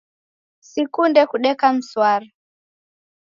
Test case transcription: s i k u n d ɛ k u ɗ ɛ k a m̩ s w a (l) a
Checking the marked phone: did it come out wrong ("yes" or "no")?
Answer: yes